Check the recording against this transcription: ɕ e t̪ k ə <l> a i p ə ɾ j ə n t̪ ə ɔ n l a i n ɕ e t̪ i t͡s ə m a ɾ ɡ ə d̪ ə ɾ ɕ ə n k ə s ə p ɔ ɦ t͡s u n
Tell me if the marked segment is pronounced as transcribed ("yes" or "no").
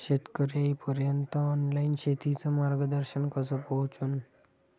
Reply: no